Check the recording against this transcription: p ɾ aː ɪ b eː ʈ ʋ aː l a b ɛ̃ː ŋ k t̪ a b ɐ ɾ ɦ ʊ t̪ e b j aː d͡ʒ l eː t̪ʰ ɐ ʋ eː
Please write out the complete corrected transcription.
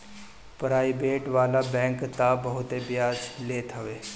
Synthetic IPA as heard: p ɾ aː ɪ b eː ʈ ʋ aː l a b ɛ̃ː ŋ k t̪ a b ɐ ɦ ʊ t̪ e b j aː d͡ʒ l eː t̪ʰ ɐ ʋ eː